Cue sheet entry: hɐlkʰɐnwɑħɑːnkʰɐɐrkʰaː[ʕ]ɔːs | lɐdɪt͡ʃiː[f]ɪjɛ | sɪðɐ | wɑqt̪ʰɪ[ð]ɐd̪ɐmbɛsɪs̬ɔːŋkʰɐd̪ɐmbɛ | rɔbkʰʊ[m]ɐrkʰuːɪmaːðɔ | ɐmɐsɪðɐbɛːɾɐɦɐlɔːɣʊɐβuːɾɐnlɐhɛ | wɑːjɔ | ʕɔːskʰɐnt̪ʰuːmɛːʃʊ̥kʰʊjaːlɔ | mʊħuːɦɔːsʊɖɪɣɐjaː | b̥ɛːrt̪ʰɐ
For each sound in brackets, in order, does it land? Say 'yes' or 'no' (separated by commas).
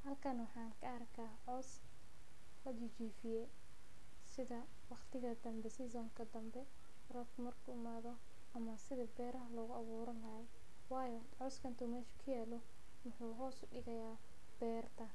yes, yes, no, yes